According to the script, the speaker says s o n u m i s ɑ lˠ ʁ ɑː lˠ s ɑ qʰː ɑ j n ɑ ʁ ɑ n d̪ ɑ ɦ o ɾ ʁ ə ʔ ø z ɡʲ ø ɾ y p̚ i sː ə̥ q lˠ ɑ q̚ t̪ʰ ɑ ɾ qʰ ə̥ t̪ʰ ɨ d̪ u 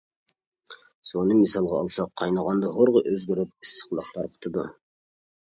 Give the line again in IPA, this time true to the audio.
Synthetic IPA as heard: s o n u m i s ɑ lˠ ʁ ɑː lˠ s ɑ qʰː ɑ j n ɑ ʁ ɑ n d̪ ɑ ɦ o ɾ ʁ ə ʔ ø z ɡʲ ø ɾ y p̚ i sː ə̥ q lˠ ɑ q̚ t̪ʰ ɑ ɾ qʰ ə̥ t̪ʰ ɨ d̪ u